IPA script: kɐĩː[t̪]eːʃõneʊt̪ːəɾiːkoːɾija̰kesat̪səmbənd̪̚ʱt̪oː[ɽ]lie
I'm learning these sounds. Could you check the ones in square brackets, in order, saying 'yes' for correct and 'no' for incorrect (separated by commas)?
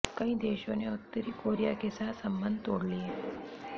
no, yes